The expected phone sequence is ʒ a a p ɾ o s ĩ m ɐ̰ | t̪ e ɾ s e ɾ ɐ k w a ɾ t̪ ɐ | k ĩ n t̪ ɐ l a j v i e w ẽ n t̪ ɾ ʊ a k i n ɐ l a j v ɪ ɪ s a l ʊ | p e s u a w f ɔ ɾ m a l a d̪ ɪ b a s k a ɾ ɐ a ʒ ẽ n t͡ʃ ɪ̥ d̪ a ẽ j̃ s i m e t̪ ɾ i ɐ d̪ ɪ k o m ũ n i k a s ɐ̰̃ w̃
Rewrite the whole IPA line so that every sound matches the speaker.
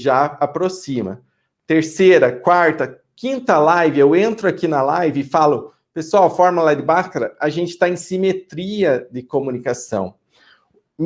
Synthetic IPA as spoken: ʒ a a p ɾ o s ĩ m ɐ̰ | t̪ e ɾ s e ɾ ɐ k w a ɾ t̪ ɐ | k ĩ n t̪ ɐ l a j v ɪ e w ẽ n t̪ ɾ ʊ a k i n ɐ l a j v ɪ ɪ f a l ʊ | p e s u a w f ɔ ɾ m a l a d̪ ɪ b a s k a ɾ ɐ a ʒ ẽ n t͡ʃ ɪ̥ t̪ a ẽ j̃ s i m e t̪ ɾ i ɐ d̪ ɪ k o m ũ n i k a s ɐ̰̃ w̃